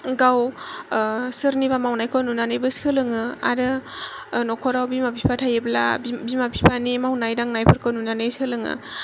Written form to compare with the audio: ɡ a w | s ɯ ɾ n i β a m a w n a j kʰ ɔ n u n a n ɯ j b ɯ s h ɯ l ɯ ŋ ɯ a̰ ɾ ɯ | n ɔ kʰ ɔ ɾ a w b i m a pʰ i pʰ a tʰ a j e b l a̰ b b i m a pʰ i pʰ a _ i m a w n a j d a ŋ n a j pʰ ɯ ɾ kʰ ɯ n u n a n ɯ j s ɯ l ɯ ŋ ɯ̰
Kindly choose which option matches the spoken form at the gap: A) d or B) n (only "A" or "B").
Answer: B